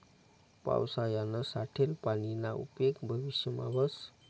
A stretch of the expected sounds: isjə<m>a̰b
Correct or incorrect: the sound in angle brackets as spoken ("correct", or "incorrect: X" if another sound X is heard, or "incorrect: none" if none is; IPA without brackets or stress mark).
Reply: correct